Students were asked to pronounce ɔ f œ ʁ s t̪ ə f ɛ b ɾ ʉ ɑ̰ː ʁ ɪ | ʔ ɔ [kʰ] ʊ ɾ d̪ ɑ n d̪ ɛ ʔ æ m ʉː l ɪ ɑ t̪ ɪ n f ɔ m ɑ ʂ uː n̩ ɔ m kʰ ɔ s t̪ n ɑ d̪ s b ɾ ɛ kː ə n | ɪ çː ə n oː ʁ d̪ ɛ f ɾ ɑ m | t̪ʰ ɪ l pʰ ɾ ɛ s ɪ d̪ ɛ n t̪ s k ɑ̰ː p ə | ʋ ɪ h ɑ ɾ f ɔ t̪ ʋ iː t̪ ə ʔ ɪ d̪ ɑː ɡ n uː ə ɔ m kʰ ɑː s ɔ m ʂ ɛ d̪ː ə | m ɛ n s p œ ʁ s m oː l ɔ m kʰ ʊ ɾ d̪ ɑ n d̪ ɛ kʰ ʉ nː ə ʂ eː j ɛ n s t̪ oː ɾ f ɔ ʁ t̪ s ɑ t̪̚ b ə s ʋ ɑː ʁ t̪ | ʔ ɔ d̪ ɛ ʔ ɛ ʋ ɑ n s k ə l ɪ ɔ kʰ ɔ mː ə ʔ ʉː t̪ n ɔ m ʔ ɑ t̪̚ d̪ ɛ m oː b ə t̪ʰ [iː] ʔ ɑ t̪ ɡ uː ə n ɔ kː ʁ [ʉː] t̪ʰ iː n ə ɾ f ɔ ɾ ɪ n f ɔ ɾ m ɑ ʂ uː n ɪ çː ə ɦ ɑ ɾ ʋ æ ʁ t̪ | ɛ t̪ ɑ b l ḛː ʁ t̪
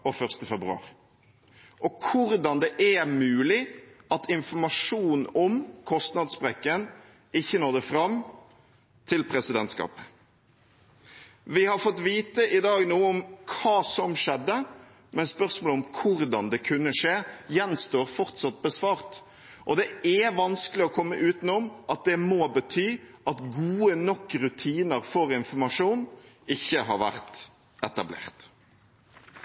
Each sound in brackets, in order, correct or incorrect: correct, incorrect: yː, incorrect: ʉ

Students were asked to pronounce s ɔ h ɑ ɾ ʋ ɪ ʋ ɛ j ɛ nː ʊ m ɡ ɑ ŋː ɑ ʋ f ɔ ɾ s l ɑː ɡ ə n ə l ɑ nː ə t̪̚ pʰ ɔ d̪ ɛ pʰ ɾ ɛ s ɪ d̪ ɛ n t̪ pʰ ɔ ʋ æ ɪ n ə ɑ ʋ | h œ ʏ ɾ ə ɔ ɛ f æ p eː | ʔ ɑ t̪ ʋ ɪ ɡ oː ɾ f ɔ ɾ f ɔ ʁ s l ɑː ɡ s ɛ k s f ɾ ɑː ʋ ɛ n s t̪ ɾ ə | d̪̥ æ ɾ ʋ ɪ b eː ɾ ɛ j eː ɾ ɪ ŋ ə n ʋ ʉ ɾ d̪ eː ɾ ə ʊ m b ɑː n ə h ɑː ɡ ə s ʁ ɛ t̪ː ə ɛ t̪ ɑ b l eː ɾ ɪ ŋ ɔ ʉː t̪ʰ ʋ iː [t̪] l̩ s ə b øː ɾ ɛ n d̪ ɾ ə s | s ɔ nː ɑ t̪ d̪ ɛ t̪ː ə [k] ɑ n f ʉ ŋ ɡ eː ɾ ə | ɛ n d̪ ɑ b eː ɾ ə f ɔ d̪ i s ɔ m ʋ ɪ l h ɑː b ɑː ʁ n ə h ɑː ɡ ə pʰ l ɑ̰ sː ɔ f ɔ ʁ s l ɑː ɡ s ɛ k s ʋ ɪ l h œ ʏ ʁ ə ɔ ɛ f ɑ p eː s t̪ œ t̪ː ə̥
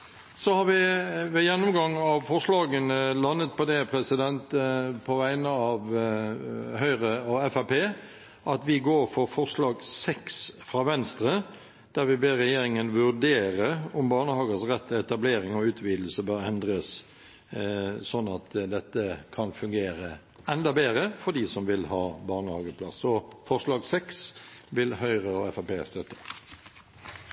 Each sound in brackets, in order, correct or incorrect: incorrect: d̪, incorrect: kʰ

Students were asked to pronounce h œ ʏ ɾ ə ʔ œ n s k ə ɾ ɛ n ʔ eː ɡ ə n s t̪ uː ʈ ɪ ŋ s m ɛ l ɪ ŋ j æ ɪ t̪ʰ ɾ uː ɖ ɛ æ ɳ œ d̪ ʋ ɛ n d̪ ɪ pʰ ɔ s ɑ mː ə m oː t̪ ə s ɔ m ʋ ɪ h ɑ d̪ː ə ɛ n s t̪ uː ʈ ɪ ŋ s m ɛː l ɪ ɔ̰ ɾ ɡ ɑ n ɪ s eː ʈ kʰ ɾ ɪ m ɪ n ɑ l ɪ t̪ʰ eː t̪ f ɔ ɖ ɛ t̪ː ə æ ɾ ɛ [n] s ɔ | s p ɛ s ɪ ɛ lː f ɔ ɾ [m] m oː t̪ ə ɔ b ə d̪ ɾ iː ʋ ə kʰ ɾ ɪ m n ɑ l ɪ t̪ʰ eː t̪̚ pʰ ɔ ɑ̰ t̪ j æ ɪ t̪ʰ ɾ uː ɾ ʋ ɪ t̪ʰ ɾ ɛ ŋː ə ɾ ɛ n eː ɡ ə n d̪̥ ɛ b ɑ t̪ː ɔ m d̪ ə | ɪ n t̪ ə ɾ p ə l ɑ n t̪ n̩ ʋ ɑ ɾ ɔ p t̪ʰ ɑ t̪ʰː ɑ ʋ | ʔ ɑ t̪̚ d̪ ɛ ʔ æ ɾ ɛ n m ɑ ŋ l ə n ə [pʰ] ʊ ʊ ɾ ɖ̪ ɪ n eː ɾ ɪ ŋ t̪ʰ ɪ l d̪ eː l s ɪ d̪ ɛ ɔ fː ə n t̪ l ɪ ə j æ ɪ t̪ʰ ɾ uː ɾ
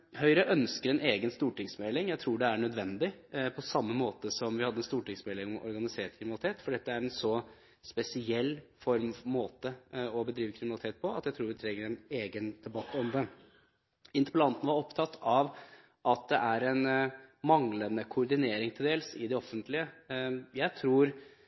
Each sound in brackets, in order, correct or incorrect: correct, correct, incorrect: kʰ

